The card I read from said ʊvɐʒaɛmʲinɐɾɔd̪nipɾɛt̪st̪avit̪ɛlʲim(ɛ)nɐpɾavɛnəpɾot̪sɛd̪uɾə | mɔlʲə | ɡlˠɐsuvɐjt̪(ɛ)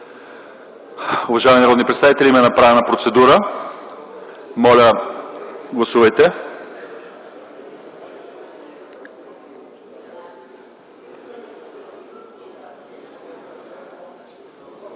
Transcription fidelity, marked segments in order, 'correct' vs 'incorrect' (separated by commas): correct, correct